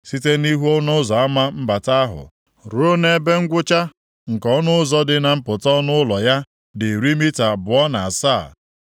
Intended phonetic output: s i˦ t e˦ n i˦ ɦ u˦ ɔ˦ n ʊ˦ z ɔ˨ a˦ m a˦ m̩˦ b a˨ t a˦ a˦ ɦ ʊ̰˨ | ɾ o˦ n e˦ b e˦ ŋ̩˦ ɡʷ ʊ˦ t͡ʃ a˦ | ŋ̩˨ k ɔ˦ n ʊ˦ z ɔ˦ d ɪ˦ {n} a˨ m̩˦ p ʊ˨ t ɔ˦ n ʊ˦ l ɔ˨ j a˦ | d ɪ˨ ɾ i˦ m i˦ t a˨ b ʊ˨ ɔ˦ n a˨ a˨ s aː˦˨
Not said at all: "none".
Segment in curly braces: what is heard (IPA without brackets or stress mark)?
n